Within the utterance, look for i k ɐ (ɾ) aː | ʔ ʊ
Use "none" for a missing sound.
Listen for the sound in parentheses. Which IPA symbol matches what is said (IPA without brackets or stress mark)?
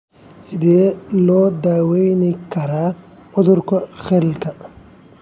ɾ